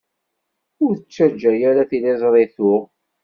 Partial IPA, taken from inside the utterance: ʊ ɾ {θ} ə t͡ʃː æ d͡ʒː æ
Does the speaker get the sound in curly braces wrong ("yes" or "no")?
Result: no